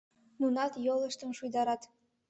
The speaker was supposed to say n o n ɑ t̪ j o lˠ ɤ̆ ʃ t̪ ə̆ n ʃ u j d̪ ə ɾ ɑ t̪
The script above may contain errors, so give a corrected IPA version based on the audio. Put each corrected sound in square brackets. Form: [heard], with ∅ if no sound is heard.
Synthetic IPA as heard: n [u] n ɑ t̪ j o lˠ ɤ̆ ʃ t̪ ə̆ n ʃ u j d̪ [ɑ] ɾ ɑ t̪